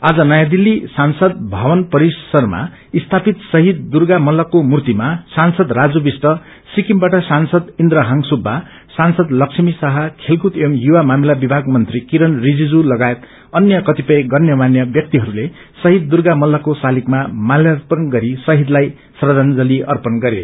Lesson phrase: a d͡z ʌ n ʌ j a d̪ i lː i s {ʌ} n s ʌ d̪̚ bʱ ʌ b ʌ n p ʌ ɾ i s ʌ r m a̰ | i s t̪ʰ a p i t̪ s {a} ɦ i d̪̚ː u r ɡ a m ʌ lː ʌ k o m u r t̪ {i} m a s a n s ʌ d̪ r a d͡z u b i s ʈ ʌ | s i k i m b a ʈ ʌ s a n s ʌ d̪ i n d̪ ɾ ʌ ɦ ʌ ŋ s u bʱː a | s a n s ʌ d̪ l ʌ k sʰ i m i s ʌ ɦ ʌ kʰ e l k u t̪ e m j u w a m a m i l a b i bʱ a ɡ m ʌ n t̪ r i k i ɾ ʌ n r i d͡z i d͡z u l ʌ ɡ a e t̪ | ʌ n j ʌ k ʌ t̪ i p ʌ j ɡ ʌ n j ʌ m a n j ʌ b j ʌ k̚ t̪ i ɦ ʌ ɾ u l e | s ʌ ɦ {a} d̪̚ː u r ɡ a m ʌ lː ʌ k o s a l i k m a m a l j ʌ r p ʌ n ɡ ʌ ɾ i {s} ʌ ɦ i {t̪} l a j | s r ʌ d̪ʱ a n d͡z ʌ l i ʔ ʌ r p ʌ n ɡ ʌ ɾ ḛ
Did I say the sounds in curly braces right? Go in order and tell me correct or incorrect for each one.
incorrect, incorrect, correct, incorrect, correct, incorrect

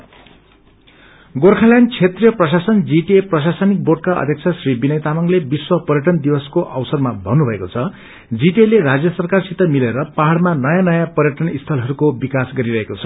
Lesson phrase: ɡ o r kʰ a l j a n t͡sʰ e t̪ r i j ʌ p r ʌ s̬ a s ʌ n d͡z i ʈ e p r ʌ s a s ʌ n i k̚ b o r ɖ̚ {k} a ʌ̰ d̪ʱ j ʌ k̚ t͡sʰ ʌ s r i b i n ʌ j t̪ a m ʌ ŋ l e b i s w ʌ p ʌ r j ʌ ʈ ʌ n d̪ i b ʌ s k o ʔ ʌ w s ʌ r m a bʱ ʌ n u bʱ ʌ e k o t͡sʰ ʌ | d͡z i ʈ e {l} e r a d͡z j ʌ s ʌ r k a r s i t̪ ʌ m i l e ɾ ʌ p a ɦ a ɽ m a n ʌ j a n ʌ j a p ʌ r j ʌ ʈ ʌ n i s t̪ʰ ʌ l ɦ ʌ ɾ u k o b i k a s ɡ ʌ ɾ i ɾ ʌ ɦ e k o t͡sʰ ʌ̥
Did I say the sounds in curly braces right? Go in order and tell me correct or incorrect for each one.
correct, correct

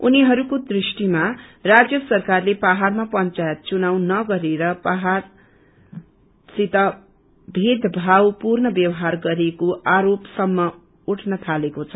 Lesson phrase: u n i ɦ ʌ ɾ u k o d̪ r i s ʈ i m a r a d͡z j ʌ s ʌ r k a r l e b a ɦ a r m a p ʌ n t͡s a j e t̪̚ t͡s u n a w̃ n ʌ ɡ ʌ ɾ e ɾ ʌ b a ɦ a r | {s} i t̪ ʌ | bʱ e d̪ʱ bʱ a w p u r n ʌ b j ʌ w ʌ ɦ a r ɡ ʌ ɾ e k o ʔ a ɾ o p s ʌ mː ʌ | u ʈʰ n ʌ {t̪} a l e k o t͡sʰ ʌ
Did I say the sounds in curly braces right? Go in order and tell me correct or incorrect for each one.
correct, incorrect

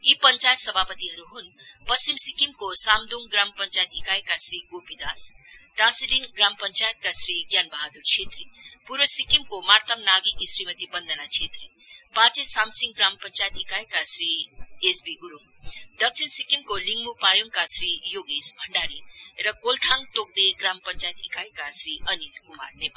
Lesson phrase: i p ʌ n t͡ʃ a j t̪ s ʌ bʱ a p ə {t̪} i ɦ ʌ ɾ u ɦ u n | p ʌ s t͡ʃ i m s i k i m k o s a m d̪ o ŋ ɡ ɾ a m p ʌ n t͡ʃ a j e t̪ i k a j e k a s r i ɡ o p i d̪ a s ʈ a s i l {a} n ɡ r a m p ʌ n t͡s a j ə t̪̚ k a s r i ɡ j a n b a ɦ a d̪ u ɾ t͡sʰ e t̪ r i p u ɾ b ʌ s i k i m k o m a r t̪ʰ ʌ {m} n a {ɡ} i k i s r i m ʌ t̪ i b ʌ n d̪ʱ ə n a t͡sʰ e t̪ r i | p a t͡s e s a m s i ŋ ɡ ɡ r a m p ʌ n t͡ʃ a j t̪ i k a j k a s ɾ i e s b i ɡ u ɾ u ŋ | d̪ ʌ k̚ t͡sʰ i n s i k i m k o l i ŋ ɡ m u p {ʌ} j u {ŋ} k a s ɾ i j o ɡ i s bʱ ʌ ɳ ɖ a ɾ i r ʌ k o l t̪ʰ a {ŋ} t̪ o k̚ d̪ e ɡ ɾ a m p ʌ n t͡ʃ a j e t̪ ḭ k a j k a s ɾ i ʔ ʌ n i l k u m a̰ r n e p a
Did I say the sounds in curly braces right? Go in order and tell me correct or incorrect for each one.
correct, incorrect, correct, correct, incorrect, correct, correct

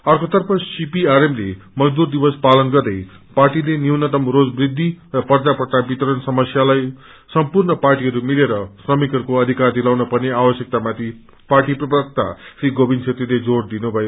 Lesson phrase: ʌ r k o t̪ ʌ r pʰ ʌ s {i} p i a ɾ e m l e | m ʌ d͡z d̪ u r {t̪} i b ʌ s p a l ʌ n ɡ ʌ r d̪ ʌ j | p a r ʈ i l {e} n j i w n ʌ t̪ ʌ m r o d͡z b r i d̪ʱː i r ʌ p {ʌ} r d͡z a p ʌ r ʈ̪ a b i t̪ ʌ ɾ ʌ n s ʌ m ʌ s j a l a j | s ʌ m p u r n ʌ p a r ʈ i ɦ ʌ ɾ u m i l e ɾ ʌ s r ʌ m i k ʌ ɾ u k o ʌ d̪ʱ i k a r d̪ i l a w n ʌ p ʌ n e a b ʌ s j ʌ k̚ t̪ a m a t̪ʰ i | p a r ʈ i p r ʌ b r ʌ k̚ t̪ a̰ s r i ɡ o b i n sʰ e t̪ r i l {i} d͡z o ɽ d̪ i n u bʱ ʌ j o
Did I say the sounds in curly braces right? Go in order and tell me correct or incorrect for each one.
correct, incorrect, correct, correct, incorrect

